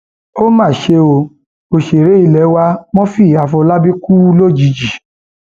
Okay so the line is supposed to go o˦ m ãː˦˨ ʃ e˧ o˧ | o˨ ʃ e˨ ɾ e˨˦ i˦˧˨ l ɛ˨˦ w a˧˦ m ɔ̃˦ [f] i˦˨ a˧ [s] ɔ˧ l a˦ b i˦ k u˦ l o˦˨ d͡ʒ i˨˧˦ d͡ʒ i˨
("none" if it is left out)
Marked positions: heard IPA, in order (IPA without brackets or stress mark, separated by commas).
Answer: f, f